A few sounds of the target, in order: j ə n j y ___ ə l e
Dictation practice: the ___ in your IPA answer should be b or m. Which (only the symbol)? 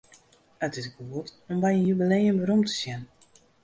b